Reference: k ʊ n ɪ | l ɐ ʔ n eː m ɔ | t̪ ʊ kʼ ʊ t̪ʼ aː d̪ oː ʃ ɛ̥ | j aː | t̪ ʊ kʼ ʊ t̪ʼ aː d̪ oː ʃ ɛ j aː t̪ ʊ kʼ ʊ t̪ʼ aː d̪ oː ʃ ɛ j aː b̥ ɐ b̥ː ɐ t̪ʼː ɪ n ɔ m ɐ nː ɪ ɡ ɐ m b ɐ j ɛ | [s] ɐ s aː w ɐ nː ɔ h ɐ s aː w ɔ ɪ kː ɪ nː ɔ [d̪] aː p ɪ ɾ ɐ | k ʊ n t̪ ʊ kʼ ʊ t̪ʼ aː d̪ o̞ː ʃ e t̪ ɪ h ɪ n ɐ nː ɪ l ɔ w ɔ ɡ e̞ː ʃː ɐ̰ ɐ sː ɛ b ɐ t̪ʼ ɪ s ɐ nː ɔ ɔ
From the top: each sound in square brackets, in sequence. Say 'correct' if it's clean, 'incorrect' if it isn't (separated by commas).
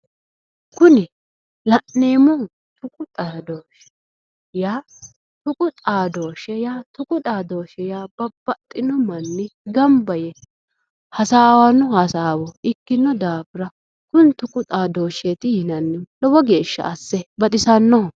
incorrect, correct